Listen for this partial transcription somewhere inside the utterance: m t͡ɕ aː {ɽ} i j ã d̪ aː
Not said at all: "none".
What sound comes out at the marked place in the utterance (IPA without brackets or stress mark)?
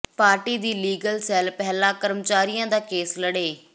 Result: ɾ